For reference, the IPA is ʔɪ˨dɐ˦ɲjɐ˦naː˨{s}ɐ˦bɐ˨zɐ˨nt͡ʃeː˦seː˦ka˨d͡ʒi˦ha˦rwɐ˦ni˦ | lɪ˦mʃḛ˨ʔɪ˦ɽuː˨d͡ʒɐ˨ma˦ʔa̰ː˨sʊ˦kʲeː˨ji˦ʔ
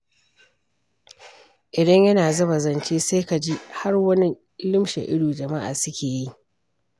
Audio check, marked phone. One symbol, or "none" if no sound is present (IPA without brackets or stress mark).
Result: z